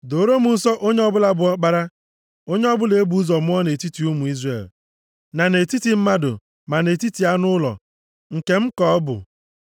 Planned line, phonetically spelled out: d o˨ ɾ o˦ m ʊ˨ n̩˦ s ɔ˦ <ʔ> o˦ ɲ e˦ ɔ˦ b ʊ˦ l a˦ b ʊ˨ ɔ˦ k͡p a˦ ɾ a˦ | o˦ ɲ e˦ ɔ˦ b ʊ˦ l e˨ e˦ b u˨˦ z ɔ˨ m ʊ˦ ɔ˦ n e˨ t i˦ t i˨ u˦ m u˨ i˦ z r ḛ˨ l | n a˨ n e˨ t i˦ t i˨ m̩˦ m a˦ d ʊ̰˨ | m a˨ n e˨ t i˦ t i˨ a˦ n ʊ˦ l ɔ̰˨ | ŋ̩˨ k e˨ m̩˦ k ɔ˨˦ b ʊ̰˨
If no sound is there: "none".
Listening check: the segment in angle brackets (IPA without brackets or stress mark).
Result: ʔ